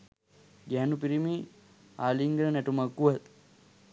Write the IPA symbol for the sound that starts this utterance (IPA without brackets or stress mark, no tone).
ɡ